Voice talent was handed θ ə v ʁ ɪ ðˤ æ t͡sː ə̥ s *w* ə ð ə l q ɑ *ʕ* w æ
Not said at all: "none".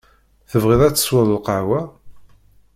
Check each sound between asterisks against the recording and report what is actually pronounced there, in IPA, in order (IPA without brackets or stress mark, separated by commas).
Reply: w, ʕ